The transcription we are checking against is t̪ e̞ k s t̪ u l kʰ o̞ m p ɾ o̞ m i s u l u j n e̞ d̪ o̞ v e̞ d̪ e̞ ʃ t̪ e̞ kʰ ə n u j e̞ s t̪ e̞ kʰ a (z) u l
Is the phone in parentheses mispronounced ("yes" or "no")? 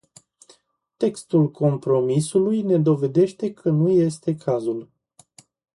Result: no